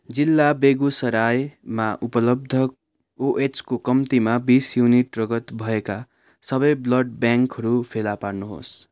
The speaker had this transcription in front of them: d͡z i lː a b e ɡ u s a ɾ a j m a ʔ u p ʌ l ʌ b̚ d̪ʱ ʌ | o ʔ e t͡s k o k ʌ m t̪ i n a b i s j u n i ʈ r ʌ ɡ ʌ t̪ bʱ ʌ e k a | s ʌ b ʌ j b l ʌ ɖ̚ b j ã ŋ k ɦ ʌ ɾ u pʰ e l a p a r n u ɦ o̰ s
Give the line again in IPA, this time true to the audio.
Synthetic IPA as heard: d͡z i lː a b e ɡ u s ʌ ɾ a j m a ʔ u p ʌ l ʌ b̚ d̪ʱ ʌ | o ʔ e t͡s k o k ʌ m t̪ i m a b i s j u n i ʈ r ʌ ɡ ʌ t̪ bʱ ʌ e k a | s ʌ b ʌ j b l ʌ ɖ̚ b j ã ŋ k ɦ ʌ ɾ u pʰ e l a p a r n u ɦ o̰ s

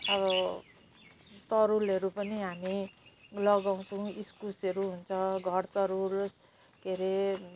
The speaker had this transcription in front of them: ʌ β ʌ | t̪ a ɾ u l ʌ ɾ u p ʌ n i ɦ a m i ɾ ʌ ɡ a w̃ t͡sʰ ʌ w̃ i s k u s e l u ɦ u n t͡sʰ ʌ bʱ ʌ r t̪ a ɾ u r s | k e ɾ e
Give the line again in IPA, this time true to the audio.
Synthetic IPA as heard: ʌ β ʌ | t̪ ʌ ɾ u l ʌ ɾ u p ʌ n i ɦ a m i l ʌ ɡ a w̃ t͡sʰ ʌ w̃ i s k u s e ɾ u ɦ u n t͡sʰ ʌ ɡʱ ʌ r t̪ ʌ ɾ u l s | k e ɾ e

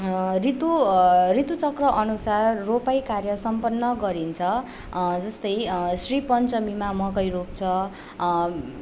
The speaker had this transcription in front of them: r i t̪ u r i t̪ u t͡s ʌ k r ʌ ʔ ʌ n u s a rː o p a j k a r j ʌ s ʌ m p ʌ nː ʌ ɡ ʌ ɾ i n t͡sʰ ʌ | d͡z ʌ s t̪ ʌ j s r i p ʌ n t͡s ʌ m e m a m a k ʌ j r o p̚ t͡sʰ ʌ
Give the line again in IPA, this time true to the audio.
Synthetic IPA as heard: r i t̪ u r i t̪ u t͡s ʌ k r ʌ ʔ ʌ n u s a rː o p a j k a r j ʌ s ʌ m p ʌ nː ʌ ɡ ʌ ɾ i n t͡sʰ ʌ | d͡z ʌ s t̪ ʌ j s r i p ʌ n t͡s ʌ m i m a m ʌ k ʌ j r o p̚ t͡sʰ ʌ

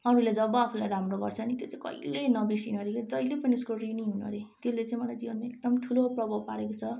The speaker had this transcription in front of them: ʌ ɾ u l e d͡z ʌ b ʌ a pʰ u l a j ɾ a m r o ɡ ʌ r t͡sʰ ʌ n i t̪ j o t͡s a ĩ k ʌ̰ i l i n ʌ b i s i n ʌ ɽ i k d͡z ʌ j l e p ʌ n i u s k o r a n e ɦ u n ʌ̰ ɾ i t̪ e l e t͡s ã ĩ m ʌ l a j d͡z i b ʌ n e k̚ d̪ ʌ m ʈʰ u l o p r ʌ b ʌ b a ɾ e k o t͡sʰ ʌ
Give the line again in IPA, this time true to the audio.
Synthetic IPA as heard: ʌ ɾ u l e d͡z ʌ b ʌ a pʰ u l a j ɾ a m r o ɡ ʌ r t͡sʰ ʌ n i t̪ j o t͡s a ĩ k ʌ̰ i l e n ʌ b i s i n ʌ ɾ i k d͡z ʌ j l e p ʌ n i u s k o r i n i ɦ u n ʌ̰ ɾ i t̪ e l e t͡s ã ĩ m ʌ l a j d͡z i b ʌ n e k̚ d̪ ʌ m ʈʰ u l o p r ʌ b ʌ p a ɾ e k o t͡sʰ ʌ

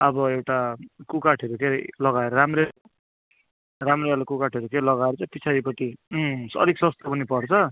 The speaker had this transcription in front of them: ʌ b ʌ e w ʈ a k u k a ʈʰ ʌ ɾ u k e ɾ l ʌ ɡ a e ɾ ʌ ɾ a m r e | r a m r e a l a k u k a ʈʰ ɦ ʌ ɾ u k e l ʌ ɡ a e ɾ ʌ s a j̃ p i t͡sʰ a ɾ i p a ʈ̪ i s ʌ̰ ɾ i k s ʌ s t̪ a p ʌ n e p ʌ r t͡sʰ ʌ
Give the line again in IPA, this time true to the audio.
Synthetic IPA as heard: ʌ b ʌ e w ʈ a k u k a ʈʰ ʌ ɾ u k e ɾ l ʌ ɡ a e ɾ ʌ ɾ a m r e | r a m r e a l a k u k a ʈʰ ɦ ʌ ɾ u k e l ʌ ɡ a e ɾ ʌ t͡s a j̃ p i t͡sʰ a ɾ i p ʌ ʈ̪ i s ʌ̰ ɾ i k s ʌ s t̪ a p ʌ n i p ʌ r t͡sʰ ʌ

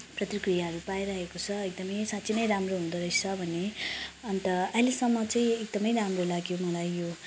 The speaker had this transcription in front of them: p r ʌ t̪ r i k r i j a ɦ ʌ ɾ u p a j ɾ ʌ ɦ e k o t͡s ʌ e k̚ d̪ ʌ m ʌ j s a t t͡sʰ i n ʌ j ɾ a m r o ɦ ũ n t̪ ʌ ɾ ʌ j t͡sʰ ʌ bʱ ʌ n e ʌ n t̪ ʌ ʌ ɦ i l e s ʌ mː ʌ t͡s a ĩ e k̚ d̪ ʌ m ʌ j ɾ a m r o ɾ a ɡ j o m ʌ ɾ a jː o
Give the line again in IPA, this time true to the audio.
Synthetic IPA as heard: p r ʌ t̪ r i k r i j a ɦ ʌ ɾ u p a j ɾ ʌ ɦ e k o t͡sʰ ʌ e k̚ d̪ ʌ m ʌ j s a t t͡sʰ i n ʌ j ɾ a m r o ɦ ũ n d̪ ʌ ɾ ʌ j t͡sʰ ʌ bʱ ʌ n e ʌ n t̪ ʌ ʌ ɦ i l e s ʌ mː ʌ t͡s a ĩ e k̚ d̪ ʌ m ʌ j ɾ a m r o l a ɡ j o m ʌ l a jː o

